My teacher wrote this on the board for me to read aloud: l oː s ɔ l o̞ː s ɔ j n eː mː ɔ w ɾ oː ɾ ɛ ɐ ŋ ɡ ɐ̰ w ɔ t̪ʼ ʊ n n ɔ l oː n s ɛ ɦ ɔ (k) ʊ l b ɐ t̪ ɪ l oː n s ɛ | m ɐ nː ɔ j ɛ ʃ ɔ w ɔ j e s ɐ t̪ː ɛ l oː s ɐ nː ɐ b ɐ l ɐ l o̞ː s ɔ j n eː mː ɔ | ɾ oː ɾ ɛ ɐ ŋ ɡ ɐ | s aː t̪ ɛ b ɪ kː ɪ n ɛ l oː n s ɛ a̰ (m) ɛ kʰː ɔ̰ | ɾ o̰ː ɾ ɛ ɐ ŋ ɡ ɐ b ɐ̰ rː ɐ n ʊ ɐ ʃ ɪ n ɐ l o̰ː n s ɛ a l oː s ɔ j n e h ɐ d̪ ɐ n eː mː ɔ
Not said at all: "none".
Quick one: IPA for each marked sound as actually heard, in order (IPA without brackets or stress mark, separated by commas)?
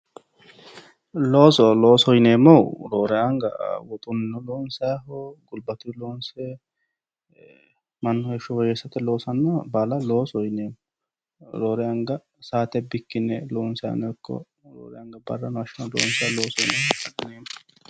ɡ, n